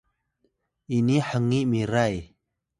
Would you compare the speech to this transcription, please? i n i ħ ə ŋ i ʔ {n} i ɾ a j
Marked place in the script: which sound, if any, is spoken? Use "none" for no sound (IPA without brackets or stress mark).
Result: m